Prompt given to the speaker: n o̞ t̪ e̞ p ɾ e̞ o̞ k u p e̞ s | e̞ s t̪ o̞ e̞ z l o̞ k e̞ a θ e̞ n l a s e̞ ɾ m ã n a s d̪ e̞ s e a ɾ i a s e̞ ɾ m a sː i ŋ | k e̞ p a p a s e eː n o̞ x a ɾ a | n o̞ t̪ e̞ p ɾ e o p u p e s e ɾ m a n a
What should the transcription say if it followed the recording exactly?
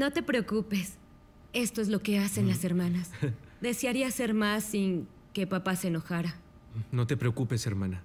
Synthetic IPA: n o̞ t̪ e̞ p ɾ e̞ o̞ k u p e̞ s | e̞ s t̪ o̞ e̞ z l o̞ k e̞ a s e̞ n l a s e̞ ɾ m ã n a s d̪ e̞ s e a ɾ i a s e̞ ɾ m a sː i ŋ | k e̞ p a p a s e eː n o̞ x a ɾ a | n o̞ t̪ e̞ p ɾ e o k u p e s e ɾ m a n a

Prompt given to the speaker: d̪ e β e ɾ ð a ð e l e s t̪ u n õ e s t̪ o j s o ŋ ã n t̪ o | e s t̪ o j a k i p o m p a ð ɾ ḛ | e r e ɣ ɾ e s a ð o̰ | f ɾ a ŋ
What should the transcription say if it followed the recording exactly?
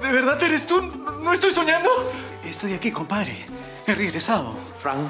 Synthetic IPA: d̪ e β e ɾ ð a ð e ɾ e s t̪ u n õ e s t̪ o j s o ɲ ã n d̪ o | e s t̪ o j a k i k o m p a ð ɾ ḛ | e r e ɣ ɾ e s a ð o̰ | f ɾ a ŋ

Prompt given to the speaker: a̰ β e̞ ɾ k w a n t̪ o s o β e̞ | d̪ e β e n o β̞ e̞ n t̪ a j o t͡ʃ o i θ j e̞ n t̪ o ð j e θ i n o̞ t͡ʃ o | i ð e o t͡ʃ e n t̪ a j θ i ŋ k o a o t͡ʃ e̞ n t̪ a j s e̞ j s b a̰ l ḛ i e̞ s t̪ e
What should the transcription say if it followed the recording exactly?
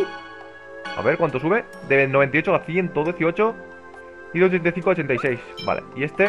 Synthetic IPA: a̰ β e̞ ɾ k w a n t̪ o s u β e̞ | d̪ e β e n o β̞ e̞ n t̪ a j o t͡ʃ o a θ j e̞ n t̪ o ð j e θ i o̞ t͡ʃ o | i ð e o t͡ʃ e n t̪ a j θ i ŋ k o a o t͡ʃ e̞ n t̪ a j s e̞ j s b a̰ l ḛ i e̞ s t̪ e

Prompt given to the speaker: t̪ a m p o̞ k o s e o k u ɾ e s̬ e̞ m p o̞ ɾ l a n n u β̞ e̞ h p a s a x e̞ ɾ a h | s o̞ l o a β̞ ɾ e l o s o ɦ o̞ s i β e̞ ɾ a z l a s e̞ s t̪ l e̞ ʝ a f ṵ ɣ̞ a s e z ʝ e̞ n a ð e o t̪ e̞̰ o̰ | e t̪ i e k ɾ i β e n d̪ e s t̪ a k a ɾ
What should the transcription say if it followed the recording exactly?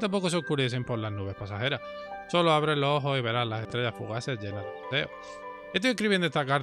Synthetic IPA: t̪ a m p o̞ k o s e o k u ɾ e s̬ e̞ m p o̞ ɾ l a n n u β̞ e̞ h p a s a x e̞ ɾ a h | s o̞ l o a β̞ ɾ e l o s o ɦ o̞ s i β e̞ ɾ a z l a s e̞ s t̪ ɾ e̞ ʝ a f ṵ ɣ̞ a s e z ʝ e̞ n a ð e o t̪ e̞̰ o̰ | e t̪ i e k ɾ i β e n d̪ e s t̪ a k a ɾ

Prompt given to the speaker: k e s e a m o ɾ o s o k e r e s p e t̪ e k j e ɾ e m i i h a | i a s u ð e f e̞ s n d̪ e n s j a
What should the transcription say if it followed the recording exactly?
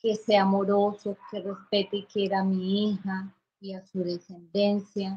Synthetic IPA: k e s e a m o ɾ o s o k e r e s p e t̪ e k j e ɾ a m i i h a | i a s u ð e s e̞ n d̪ e n s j a

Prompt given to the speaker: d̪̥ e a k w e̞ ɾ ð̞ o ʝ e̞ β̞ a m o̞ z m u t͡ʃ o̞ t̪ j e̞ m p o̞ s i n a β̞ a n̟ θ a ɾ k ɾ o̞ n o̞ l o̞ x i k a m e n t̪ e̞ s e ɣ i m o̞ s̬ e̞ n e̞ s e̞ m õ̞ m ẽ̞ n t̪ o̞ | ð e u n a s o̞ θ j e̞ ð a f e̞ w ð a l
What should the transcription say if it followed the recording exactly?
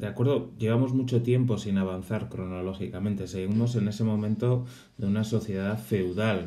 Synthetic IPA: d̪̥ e a k w e̞ ɾ ð̞ o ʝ e̞ β̞ a m o̞ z m u t͡ʃ o̞ t̪ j e̞ m p o̞ s i n a β̞ a n̟ θ a ɾ k ɾ o̞ n o̞ l o̞ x i k a m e n t̪ e̞ s e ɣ i m o̞ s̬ e̞ n e̞ s e̞ m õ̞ m ẽ̞ n t̪ o̞ | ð e u n a s o̞ θ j e̞ ð a f e̞ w ð a l

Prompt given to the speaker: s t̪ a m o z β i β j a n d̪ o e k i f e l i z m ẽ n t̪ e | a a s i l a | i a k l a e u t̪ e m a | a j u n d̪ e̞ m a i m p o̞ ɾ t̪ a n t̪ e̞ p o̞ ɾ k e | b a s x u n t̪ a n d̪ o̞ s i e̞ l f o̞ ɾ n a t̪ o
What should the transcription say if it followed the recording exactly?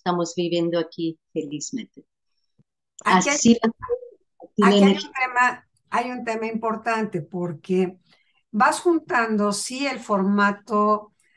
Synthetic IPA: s t̪ a m o z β i β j e n d̪ o a k i f e l i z m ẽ n t̪ e | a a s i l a | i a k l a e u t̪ e m a | a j u n t̪ e̞ m a i m p o̞ ɾ t̪ a n t̪ e̞ p o̞ ɾ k e | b a s x u n t̪ a n d̪ o̞ s i e̞ l f o̞ ɾ m a t̪ o

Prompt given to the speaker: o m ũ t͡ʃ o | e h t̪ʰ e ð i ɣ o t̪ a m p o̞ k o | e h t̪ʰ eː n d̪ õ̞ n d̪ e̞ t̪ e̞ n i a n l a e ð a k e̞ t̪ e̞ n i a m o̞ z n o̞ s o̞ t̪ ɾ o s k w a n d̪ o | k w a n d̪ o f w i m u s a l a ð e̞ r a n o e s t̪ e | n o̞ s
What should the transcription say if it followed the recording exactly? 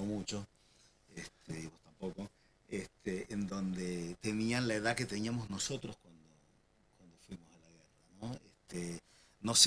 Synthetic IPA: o m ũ t͡ʃ o | e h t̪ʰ e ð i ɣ o t̪ a m p o̞ k o | e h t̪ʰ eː n d̪ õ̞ n d̪ e̞ t̪ e̞ n i a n l a e ð a k e̞ t̪ e̞ n i a m o̞ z n o̞ s o̞ t̪ ɾ o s k w a n d̪ o | k w a n d̪ o f w i m o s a l a ɣ e̞ r a n o e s t̪ e | n o̞ s

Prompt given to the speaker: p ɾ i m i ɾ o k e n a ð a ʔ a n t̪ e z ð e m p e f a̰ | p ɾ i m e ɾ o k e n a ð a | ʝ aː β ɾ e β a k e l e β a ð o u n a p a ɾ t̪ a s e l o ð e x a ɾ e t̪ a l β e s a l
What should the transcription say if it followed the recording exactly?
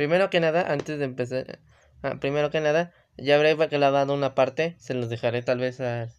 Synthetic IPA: p ɾ i m e ɾ o k e n a ð a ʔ a n t̪ e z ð e m p e s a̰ | p ɾ i m e ɾ o k e n a ð a | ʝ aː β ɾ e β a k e l a β a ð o u n a p a ɾ t̪ e s e l o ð e x a ɾ e t̪ a l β e s a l

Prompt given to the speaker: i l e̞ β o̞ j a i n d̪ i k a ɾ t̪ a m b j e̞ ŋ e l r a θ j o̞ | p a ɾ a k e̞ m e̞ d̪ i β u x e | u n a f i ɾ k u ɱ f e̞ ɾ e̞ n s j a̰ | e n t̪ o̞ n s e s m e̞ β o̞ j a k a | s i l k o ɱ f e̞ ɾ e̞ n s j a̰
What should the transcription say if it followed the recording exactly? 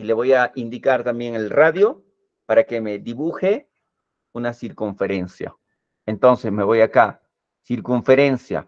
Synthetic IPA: i l e̞ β o̞ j a i n d̪ i k a ɾ t̪ a m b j e̞ ŋ e l r a ð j o̞ | p a ɾ a k e̞ m e̞ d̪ i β u x e | u n a s i ɾ k u ɱ f e̞ ɾ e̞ n s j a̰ | e n t̪ o̞ n s e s m e̞ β o̞ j a k a | s i ɾ k u ɱ f e̞ ɾ e̞ n s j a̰

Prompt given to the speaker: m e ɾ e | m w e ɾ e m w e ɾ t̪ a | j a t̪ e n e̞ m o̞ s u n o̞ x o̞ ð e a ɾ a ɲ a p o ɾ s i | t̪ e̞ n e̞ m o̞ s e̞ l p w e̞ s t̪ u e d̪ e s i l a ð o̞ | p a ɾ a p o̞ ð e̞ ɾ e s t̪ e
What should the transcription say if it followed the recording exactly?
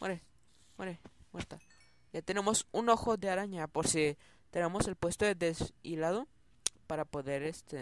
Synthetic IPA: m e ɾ e | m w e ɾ e m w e ɾ t̪ a | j a t̪ e n e̞ m o̞ s u n o̞ x o̞ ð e a ɾ a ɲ a p o ɾ s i | t̪ e̞ n e̞ m o̞ s e̞ l p w e̞ s t̪ o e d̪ e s i l a ð o̞ | p a ɾ a p o̞ ð e̞ ɾ e s t̪ e

